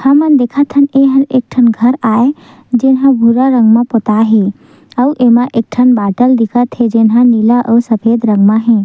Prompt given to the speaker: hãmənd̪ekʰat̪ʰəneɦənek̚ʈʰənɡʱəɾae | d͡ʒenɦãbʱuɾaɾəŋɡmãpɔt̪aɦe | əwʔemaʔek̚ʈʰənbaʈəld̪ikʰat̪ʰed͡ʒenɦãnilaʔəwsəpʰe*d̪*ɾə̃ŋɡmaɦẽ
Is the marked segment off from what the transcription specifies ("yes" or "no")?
no